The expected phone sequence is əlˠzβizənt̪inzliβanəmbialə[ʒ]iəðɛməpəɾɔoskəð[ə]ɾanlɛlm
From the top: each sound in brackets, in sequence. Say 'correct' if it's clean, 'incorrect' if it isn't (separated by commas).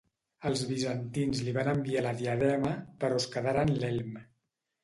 incorrect, incorrect